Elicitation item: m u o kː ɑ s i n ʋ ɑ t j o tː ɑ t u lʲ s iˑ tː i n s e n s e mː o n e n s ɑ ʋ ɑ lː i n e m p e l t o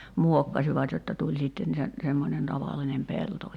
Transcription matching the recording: m u o kː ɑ s i ʋ ɑ t j o tː ɑ t u lʲ s iˑ tː e n s e n s e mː o n e n t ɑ ʋ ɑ lː i n e m p e l t o

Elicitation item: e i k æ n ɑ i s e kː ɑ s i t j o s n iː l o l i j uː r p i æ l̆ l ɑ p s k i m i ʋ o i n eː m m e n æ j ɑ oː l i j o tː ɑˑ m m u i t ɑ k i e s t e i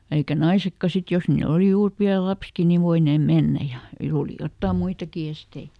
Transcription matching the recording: e i k æ n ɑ i s e kː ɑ s i t j o s n iː l o l i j uː r p i æ l̆ l ɑ p s k i n i ʋ o i n eː m m e nː æ j ɑ oː l i j o tː ɑˑ m m u i t ɑ k i e s t e i

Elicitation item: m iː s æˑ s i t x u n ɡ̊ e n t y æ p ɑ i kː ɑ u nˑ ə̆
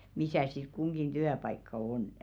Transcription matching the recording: m i s æˑ s i t k u ŋ ɡ̊ i n t y æ p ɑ i kː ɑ o nˑ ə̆

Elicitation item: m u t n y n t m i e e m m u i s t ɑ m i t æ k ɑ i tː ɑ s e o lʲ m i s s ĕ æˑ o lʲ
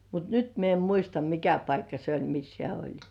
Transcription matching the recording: m u t n y t m i e e m m u i s t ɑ m i k æ p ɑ i kː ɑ s e o lʲ m i s h ĕ æˑ o lʲ

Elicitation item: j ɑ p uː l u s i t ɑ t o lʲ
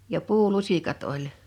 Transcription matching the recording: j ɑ p uː l u s i k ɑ t o lʲ

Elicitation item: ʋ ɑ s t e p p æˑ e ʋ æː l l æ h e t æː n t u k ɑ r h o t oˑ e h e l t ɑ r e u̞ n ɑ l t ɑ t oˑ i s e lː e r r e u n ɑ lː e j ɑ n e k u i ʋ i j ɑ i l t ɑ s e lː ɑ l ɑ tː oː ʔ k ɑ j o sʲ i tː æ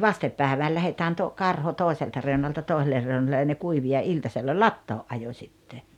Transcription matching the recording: ʋ ɑ s t e p p æˑ e ʋ æː l l æ h e t æː n t o k ɑ r h o t oˑ e s e l t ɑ r e u̞ n ɑ l t ɑ t oˑ i s e lː e r r e u n ɑ lː e j ɑ n e k u i ʋ i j ɑ i l t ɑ s e lː ɑ l ɑ tː oː ʔ ʔ ɑ j o sʲ i tː e

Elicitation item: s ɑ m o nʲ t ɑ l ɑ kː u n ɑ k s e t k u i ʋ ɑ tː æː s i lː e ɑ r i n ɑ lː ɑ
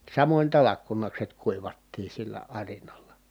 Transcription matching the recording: s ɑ m o nʲ t ɑ l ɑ kː u n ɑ k s e t k u i ʋ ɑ tː iː s i lː æ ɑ r i n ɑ lː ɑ

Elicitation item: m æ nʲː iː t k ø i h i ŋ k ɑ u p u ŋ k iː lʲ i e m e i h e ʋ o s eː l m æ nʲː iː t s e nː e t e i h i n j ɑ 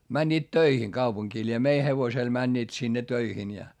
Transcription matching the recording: m æ nʲː iː t t ø i h i ŋ k ɑ u p u ŋ k iː lʲ i e m e i h e ʋ o s e l m æ nʲː iː t s i nː e t ø i h i n j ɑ

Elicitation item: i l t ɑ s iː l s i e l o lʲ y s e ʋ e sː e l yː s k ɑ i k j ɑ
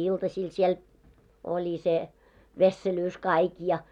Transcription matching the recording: i l t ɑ s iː l s i e l o lʲ i s e ʋ e sː e l yː s k ɑ i k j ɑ

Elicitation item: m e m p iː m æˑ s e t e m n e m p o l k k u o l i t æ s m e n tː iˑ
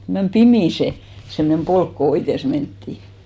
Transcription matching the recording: m e m p i m iˑ s e s e m n e m p o l k k o o i t e s m e n tː iˑ

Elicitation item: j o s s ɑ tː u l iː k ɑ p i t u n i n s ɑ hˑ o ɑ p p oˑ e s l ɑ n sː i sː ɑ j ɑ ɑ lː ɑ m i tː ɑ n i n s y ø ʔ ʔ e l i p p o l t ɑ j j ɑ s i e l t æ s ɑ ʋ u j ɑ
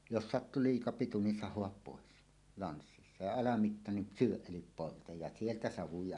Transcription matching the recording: j o s s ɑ tː u l iː k ɑ p i t u n i n s ɑ hˑ o ɑ p p oˑ e s l ɑ n sː i sː ɑ j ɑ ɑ l ɑ m i tː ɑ n i n s y ø ʔ ʔ e l i p p o l t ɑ j j ɑ s i e l t æ s ɑ ʋ u j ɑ

